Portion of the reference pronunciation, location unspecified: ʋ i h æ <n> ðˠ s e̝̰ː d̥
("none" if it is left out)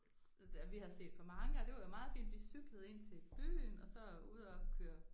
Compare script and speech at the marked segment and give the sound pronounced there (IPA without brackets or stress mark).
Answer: none